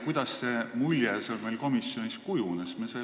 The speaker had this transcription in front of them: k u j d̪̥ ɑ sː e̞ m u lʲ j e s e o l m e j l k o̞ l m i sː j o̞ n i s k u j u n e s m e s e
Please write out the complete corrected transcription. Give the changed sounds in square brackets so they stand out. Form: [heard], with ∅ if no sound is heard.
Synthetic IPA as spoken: k u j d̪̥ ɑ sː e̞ m u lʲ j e s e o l m e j l k o̞ [∅] m i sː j o̞ n i s k u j u n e s m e s e